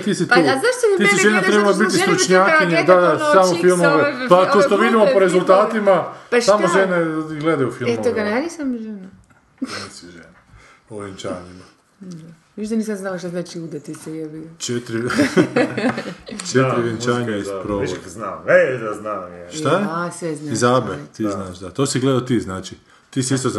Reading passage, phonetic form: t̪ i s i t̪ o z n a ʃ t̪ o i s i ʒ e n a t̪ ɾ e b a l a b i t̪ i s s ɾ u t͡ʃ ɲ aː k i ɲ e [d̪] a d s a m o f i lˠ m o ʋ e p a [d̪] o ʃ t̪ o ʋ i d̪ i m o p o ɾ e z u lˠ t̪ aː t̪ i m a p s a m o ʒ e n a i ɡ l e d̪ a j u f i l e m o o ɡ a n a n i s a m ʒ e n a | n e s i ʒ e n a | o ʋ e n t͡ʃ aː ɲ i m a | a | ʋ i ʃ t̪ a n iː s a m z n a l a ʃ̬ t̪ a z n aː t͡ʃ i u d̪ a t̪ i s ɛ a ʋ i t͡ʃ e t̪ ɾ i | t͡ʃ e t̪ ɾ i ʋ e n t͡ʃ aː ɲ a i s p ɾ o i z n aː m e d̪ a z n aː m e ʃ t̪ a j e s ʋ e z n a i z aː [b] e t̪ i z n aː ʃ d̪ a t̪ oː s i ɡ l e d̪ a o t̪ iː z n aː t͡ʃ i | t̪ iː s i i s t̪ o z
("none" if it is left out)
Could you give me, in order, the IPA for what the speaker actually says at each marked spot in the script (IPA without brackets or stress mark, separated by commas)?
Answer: d̪, t̪, b